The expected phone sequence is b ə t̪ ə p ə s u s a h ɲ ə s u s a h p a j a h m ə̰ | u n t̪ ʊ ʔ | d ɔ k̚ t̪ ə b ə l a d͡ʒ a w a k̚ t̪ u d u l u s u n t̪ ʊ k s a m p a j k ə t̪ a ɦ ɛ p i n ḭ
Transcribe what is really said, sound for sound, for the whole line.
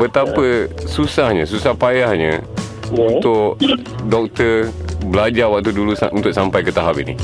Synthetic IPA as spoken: b ə t̪ a p ə s u s a h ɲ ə s u s a h p a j a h ɲ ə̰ | u n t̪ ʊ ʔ | d ɔ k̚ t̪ ə b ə l a d͡ʒ a w a k̚ t̪ u d u l u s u n t̪ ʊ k s a m p a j k ə t̪ a ɦ a p i n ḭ